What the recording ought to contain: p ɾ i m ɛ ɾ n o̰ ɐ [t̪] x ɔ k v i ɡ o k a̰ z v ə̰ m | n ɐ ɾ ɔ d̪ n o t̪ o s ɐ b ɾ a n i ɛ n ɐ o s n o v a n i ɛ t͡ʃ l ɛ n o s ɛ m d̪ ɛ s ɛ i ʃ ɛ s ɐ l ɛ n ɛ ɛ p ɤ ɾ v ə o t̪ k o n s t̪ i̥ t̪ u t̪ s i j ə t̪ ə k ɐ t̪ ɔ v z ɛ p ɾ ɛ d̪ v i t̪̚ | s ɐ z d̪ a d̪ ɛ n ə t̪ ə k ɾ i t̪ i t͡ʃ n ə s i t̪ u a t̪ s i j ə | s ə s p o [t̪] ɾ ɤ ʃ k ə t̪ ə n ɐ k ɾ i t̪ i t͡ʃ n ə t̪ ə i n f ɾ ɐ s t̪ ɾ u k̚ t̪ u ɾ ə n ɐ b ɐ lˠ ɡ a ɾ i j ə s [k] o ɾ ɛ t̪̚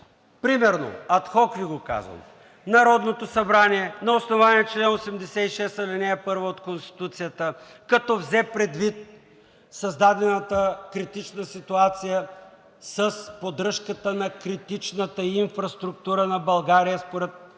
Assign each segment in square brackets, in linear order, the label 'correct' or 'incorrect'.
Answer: correct, incorrect, incorrect

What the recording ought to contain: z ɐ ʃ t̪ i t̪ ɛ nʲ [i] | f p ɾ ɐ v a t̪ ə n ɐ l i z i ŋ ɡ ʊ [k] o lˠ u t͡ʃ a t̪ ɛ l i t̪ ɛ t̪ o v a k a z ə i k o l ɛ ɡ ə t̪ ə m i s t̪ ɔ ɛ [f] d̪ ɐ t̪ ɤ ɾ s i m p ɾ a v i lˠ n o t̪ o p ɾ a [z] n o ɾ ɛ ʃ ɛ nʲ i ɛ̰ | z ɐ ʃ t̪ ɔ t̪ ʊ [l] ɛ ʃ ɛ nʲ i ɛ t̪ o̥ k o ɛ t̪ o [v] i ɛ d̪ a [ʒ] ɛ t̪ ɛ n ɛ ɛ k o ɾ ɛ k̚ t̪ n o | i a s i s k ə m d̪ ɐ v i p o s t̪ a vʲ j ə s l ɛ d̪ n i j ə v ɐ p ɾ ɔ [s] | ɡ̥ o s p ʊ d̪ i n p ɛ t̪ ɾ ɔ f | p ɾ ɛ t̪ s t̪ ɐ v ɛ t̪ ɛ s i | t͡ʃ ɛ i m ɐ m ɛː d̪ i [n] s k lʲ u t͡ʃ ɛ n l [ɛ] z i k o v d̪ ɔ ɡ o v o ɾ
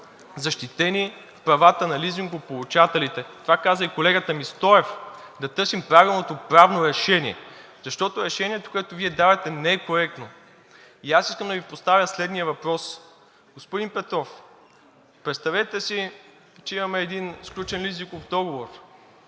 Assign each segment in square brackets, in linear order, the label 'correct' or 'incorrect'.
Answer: correct, incorrect, correct, incorrect, incorrect, correct, incorrect, correct, correct, incorrect

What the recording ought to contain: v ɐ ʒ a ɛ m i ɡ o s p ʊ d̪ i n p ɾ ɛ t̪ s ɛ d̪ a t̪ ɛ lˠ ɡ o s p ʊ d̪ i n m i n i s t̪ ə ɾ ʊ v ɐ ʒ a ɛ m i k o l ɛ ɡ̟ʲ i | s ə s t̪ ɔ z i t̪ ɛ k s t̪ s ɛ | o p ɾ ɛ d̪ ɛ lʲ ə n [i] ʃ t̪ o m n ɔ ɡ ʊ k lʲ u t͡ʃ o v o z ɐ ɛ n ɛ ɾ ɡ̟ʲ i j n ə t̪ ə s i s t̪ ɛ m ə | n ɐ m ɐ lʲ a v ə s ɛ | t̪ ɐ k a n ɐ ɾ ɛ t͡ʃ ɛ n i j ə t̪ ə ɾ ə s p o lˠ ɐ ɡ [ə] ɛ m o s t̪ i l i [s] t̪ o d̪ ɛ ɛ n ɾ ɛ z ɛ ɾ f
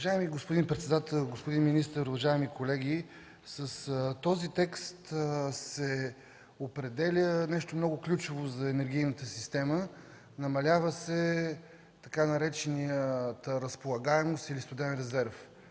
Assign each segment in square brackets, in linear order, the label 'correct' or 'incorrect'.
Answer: incorrect, incorrect, correct

